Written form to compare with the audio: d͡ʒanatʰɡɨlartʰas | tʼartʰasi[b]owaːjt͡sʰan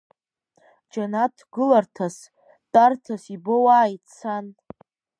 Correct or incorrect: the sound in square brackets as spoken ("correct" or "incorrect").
correct